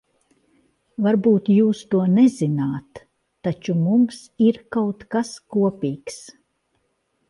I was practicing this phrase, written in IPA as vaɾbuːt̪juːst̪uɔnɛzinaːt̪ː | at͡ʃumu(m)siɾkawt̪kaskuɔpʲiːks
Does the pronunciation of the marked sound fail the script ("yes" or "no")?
no